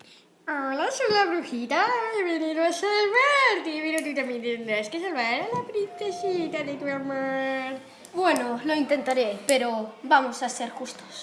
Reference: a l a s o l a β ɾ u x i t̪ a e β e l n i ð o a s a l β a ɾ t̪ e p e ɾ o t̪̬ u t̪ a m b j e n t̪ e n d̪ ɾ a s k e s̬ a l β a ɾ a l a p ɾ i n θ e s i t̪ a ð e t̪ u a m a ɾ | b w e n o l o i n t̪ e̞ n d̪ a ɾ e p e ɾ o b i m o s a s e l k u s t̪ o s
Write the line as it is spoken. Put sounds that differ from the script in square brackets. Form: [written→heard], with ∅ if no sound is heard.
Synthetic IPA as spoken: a l a s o l a β ɾ u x i t̪ a e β e [l→∅] n i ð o a s a l β a ɾ t̪ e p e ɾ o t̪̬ u t̪ a m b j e n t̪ e n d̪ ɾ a s k e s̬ a l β a ɾ a l a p ɾ i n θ e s i t̪ a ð e t̪ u a m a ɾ | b w e n o l o i n t̪ e̞ n [d̪→t̪] a ɾ e p e ɾ o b [i→a] m o s a s e [l→ɾ] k u s t̪ o s

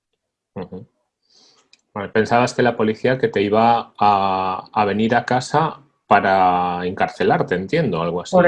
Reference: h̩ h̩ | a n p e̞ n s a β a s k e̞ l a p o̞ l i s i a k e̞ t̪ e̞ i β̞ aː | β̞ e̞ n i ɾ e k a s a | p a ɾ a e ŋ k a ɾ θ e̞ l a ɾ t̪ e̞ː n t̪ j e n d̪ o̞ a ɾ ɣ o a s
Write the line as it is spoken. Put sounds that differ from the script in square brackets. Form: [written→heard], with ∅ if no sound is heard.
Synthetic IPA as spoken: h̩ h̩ | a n p e̞ n s a β a s k e̞ l a p o̞ l i [s→θ] i a k e̞ t̪ e̞ i β̞ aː | β̞ e̞ n i ɾ [e→a] k a s a | p a ɾ a e ŋ k a ɾ θ e̞ l a ɾ t̪ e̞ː n t̪ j e n d̪ o̞ a [ɾ→l] ɣ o a s

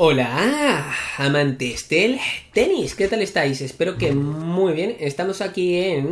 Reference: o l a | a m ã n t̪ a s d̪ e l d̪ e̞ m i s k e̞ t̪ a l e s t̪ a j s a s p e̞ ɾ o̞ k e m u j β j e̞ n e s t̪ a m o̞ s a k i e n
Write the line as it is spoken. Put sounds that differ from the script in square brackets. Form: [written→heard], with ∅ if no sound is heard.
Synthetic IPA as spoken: o l a | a m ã n t̪ [a→e] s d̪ e l [d̪→t̪] e̞ [m→n] i s k e̞ t̪ a l e s t̪ a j s [a→e] s p e̞ ɾ o̞ k e m u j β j e̞ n e s t̪ a m o̞ s a k i e n

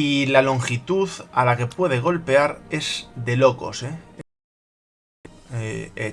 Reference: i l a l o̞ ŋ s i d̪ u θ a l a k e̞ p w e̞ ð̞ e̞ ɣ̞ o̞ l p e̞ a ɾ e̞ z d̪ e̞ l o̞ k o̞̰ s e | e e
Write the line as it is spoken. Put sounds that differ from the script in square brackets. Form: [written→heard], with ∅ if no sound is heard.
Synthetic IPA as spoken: i l a l o̞ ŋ [s→x] i [d̪→t̪] u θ a l a k e̞ p w e̞ ð̞ e̞ ɣ̞ o̞ l p e̞ a ɾ e̞ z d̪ e̞ l o̞ k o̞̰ s e | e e

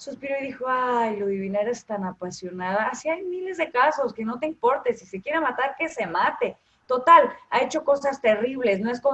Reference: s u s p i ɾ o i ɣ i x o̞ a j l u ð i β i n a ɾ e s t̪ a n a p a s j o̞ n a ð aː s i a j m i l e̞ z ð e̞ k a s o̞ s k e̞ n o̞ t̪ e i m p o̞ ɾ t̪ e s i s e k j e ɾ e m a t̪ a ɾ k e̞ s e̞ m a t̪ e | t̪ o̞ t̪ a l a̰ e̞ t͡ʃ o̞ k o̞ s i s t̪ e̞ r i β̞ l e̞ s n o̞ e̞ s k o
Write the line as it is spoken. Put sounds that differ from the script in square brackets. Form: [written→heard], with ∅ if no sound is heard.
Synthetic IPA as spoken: s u s p i ɾ o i [ɣ→ð] i x o̞ a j l [u→o] ð i β i n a ɾ e s t̪ a n a p a s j o̞ n a ð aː s i a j m i l e̞ z ð e̞ k a s o̞ s k e̞ n o̞ t̪ e i m p o̞ ɾ t̪ e s i s e k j e ɾ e m a t̪ a ɾ k e̞ s e̞ m a t̪ e | t̪ o̞ t̪ a l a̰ e̞ t͡ʃ o̞ k o̞ s [i→a] s t̪ e̞ r i β̞ l e̞ s n o̞ e̞ s k o

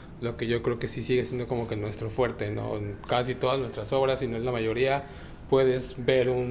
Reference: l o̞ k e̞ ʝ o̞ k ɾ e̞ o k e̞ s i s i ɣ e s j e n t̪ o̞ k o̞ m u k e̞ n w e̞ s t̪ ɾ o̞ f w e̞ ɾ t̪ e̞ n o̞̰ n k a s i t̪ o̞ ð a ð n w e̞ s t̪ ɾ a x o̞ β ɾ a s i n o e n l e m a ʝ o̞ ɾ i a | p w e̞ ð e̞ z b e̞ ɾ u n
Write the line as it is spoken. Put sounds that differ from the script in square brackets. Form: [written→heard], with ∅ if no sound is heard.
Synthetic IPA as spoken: l o̞ k e̞ ʝ o̞ k ɾ e̞ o k e̞ s i s i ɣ e s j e n [t̪→d̪] o̞ k o̞ m [u→o] k e̞ n w e̞ s t̪ ɾ o̞ f w e̞ ɾ t̪ e̞ n o̞̰ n k a s i t̪ o̞ ð a [ð→z] n w e̞ s t̪ ɾ a [x→s] o̞ β ɾ a s i n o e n l [e→a] m a ʝ o̞ ɾ i a | p w e̞ ð e̞ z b e̞ ɾ u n

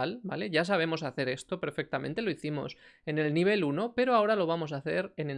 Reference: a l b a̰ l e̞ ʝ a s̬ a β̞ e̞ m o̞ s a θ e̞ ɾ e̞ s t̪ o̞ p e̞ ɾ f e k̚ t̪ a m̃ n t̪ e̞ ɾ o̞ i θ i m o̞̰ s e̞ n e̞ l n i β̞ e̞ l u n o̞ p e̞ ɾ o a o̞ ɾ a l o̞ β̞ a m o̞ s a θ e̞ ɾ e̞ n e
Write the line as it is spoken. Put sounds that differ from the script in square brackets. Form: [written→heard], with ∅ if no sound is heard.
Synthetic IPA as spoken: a l b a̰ l e̞ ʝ a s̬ a β̞ e̞ m o̞ s a θ e̞ ɾ e̞ s t̪ o̞ p e̞ ɾ f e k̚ t̪ a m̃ n t̪ e̞ [ɾ→l] o̞ i θ i m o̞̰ s e̞ n e̞ l n i β̞ e̞ l u n o̞ p e̞ ɾ o a o̞ ɾ a l o̞ β̞ a m o̞ s a θ e̞ ɾ e̞ n e

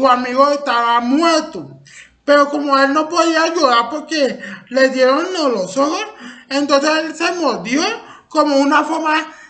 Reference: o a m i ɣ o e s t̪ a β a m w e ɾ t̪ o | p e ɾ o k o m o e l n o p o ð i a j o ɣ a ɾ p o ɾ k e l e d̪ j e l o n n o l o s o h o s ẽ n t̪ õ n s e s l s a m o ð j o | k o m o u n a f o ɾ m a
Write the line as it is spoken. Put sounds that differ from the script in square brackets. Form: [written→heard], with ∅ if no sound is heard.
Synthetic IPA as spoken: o a m i ɣ o e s t̪ a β a m w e ɾ t̪ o | p e ɾ o k o m o e l n o p o ð i a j o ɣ a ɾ p o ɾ k e l e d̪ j e [l→ɾ] o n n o l o s o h o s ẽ n t̪ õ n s e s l s [a→e] m o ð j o | k o m o u n a f o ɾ m a

